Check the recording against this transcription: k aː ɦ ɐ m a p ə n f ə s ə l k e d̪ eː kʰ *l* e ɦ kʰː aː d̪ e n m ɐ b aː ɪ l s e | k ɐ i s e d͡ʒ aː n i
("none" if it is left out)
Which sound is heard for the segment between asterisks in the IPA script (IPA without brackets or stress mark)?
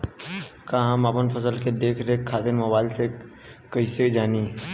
ɾ